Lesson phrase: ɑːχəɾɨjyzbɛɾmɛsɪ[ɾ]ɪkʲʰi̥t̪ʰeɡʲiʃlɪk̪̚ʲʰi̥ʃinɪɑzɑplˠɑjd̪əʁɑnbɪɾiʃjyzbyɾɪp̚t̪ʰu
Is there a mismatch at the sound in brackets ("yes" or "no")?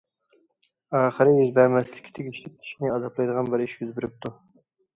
yes